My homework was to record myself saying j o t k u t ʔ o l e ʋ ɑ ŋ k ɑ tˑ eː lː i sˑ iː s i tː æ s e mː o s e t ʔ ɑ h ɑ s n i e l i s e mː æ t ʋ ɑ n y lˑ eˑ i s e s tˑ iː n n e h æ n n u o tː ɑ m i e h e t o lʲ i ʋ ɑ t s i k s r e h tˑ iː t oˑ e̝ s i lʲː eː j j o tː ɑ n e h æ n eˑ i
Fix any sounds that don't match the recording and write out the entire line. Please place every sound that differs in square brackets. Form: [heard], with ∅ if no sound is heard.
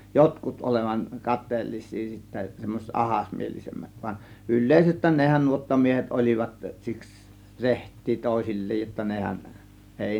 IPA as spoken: j o t k u t ʔ o l e ʋ ɑ ŋ k ɑ tˑ eː lː i sˑ iː s i tː æ s e mː o s e t ʔ ɑ h ɑ s [m] i e l i s e mː æ t ʋ ɑ n y lˑ eˑ i s e s tˑ [æː] n n e h æ n n u o tː ɑ m i e h e t o lʲ i ʋ ɑ t s i k s r e h tˑ iː t oˑ e̝ s i lʲː eː j j o tː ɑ n e h æ n eˑ i